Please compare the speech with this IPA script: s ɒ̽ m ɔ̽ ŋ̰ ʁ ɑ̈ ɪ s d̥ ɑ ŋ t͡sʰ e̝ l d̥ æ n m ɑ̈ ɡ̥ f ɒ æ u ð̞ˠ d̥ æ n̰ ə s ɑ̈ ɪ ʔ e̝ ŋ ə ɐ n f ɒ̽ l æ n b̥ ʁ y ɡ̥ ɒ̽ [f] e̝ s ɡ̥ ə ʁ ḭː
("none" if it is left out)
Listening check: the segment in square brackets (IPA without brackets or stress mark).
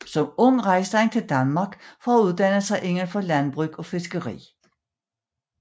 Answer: f